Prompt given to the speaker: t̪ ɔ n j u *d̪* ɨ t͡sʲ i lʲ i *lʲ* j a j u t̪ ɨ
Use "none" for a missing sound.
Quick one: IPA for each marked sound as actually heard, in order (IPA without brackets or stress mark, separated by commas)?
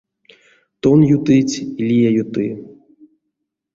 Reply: t̪, none